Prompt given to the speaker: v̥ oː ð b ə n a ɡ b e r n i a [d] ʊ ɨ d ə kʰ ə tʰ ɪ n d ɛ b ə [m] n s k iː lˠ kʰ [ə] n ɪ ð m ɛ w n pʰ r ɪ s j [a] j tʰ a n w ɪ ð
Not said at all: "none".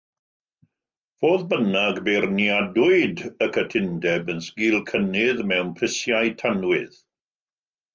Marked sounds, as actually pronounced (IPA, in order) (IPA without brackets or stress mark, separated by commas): d, none, ə, a